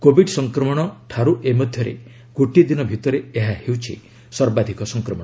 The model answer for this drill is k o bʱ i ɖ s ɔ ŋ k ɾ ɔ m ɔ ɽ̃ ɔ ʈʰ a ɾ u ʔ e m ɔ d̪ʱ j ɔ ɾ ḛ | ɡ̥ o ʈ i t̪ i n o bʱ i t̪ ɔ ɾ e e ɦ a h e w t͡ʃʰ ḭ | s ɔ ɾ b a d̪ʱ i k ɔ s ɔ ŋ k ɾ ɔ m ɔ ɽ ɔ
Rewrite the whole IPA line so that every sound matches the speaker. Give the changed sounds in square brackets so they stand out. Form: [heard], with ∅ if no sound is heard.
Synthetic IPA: k o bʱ i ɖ s ɔ ŋ k ɾ ɔ m ɔ ɽ̃ ɔ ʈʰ a ɾ u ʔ e m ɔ d̪ʱ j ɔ ɾ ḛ | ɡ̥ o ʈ i [d̪] i n [ɔ] bʱ i t̪ ɔ ɾ e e ɦ a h e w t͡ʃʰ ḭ | s ɔ ɾ b a d̪ʱ i k ɔ s ɔ ŋ k ɾ ɔ m ɔ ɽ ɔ